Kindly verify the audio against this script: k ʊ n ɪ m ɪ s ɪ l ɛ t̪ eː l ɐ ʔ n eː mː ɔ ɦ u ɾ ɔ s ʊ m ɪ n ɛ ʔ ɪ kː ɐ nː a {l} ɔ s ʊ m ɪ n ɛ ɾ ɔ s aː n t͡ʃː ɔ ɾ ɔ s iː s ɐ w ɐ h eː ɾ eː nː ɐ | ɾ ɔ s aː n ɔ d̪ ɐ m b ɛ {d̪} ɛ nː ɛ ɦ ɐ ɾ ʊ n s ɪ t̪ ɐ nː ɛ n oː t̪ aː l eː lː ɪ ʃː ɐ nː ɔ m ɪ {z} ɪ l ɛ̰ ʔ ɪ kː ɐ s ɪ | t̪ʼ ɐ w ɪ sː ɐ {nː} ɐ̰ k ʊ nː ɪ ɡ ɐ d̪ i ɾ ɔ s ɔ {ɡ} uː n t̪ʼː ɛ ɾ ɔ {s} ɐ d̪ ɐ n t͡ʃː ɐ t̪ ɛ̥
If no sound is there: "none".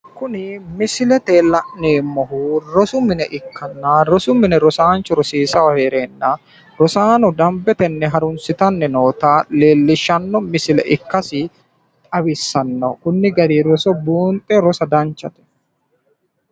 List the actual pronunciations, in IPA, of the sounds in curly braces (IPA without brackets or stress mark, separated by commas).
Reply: ɾ, t̪, s, nː, b, s